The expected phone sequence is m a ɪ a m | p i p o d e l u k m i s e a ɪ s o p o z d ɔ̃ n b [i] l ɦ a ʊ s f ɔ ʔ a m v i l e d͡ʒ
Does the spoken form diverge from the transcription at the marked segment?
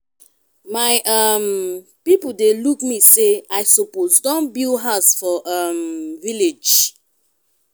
no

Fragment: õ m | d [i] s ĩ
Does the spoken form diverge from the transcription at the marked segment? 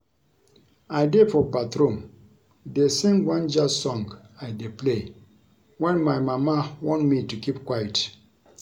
yes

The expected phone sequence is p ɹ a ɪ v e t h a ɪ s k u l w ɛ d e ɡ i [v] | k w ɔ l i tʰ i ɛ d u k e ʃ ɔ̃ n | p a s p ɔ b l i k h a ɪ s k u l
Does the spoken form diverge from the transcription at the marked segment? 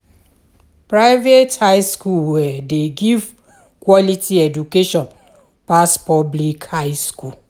no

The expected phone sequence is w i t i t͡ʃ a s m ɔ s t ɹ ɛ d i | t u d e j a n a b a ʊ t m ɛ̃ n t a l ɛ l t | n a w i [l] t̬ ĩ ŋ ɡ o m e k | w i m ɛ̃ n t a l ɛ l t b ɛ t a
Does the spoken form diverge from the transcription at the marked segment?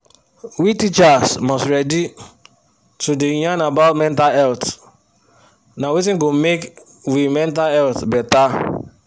yes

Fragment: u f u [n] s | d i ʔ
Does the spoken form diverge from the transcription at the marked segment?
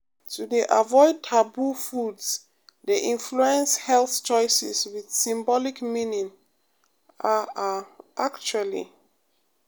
yes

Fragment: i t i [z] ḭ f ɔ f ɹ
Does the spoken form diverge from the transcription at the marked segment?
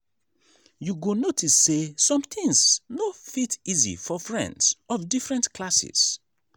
no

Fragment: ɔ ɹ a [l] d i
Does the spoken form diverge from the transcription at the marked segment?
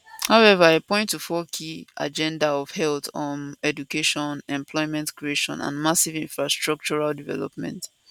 no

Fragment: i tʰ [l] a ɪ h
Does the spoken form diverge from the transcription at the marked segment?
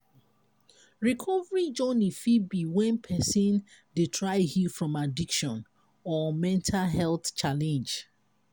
yes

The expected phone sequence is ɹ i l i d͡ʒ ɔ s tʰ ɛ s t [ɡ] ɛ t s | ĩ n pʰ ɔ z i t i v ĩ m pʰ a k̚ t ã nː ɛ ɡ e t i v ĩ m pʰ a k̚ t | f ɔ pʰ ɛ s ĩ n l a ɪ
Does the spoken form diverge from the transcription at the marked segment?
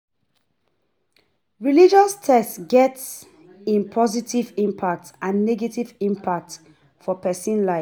no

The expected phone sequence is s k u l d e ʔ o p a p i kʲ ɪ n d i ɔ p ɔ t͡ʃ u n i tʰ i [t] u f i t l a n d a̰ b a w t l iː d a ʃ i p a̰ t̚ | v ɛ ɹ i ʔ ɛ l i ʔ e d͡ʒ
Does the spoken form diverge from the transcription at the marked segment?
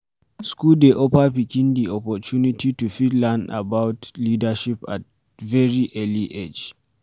no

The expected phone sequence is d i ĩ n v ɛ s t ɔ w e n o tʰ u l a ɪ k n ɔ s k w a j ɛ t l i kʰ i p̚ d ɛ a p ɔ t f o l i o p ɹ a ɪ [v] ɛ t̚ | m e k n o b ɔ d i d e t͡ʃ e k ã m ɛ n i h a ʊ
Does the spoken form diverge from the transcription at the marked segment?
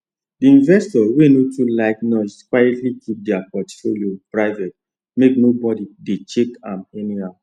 no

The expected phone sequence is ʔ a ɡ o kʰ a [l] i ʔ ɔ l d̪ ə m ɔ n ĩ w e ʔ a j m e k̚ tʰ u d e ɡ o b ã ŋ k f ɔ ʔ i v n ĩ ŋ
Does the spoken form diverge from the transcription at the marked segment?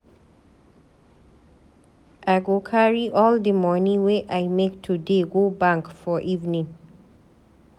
yes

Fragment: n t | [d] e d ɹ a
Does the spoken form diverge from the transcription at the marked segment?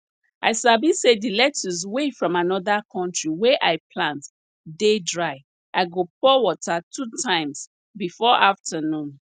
no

